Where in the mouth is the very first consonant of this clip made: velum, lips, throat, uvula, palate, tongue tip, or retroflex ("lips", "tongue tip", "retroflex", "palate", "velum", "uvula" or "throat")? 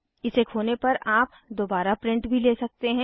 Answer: tongue tip